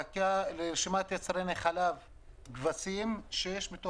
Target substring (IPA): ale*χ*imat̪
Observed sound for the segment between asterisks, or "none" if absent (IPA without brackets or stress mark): ʃ